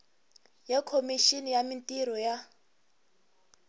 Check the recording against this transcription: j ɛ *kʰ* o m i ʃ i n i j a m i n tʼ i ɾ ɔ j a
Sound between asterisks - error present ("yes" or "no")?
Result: no